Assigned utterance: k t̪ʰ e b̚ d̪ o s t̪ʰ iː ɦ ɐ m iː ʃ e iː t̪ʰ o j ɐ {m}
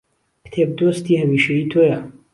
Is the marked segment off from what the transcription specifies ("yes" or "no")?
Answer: yes